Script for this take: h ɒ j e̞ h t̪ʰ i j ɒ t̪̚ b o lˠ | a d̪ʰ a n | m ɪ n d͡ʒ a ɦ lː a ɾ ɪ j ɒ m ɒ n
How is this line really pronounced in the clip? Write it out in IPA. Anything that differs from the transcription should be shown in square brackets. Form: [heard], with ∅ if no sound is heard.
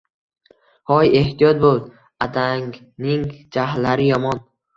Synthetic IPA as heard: h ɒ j e̞ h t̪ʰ i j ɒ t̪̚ b o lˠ | a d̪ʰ a [ŋ] | [n] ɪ [ŋ] d͡ʒ a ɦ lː a ɾ ɪ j ɒ m ɒ n